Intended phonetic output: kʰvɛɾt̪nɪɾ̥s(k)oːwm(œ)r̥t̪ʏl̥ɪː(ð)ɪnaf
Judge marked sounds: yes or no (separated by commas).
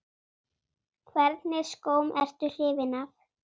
yes, no, no